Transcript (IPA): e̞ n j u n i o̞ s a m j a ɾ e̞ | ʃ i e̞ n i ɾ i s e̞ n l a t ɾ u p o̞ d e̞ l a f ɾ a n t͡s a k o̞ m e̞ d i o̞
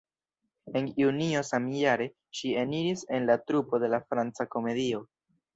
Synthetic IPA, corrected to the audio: e̞ n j u n i o̞ s a m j a ɾ e̞ | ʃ i e̞ n i ɾ i s e̞ n l a t ɾ u p o̞ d e̞ l a f ɾ a n t͡s a k o̞ m e̞ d i o̞